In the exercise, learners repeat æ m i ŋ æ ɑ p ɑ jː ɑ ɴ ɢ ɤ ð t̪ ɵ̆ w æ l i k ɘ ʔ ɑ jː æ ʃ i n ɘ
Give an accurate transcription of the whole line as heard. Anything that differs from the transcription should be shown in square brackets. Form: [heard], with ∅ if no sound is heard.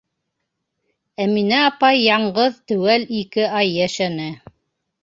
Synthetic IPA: æ m i [n] æ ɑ p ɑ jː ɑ ɴ ɢ ɤ ð t̪ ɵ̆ w æ l i k ɘ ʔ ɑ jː æ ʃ [æ] n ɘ